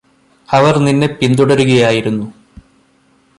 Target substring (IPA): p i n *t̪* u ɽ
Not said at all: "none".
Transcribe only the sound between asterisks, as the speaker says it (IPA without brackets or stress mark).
d̪